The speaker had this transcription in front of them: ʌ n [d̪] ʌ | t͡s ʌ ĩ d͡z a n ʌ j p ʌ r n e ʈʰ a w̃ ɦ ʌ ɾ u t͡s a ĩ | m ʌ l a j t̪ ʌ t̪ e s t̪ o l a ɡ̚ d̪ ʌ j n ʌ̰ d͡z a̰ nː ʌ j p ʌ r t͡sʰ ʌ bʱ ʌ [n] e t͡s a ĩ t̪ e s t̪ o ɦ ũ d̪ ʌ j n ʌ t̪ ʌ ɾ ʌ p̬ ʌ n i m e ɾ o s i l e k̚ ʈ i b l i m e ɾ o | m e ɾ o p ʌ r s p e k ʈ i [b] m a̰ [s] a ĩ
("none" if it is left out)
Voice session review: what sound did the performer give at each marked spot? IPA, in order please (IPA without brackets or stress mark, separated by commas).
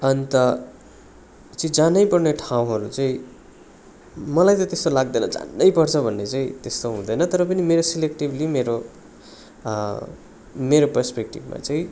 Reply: t̪, nː, b, t͡s